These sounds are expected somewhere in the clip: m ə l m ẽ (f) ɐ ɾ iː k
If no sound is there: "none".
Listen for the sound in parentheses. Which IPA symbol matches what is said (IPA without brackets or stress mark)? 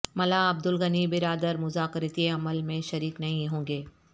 ʃ